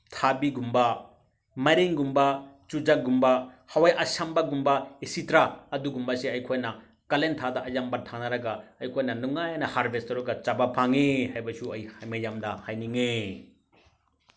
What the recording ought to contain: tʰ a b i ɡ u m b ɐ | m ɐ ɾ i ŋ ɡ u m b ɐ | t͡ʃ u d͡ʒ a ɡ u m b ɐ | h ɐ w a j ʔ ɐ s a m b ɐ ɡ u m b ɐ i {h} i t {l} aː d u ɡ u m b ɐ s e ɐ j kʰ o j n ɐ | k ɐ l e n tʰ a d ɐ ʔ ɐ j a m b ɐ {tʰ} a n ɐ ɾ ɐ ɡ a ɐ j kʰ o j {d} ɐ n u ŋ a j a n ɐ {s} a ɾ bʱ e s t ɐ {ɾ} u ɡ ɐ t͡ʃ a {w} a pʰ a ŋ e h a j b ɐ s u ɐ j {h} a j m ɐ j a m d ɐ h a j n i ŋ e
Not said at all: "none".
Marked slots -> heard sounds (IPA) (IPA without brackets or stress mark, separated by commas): s, ɾ, tʰ, n, h, ɾ, b, h